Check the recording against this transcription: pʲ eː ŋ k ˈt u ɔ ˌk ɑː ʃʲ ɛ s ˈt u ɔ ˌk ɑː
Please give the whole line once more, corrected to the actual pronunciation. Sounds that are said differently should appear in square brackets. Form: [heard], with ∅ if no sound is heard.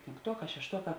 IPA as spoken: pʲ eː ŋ k ˈt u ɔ ˌk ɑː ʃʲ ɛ [ʃ] ˈt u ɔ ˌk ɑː